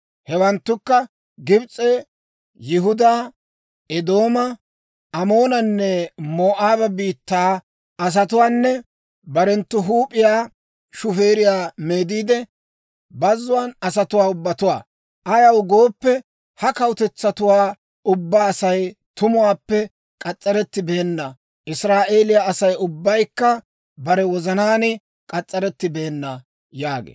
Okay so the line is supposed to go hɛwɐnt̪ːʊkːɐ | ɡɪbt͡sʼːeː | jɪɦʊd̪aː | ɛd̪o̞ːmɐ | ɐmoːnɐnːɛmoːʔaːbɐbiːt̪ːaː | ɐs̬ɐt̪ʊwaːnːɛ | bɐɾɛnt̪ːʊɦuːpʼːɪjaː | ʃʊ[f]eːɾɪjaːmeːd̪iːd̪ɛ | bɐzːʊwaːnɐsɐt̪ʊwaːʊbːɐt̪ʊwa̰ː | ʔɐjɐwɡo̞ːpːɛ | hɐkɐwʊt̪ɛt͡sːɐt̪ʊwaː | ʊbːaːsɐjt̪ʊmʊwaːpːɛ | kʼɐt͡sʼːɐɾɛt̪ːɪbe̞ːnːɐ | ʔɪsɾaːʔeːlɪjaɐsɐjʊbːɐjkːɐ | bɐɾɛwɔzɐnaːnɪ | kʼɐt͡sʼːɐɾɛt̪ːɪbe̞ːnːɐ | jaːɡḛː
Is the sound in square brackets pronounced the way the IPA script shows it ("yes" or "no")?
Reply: yes